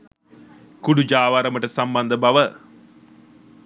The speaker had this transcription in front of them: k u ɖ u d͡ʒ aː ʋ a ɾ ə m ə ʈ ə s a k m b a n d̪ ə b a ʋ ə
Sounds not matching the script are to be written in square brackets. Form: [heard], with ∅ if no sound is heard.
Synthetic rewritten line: k u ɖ u d͡ʒ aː ʋ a ɾ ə m ə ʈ ə s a [∅] m b a n d̪ ə b a ʋ ə